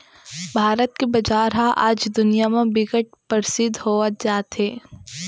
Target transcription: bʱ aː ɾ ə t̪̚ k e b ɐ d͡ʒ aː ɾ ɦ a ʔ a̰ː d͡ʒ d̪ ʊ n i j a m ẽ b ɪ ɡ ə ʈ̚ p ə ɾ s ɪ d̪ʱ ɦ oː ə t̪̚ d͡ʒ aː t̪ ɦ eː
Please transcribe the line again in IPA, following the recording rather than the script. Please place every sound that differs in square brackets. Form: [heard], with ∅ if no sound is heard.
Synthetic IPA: bʱ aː ɾ ə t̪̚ k e b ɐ d͡ʒ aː ɾ ɦ a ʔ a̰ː d͡ʒ d̪ ʊ n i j a m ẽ b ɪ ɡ ə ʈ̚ p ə ɾ s ɪ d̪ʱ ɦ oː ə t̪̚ d͡ʒ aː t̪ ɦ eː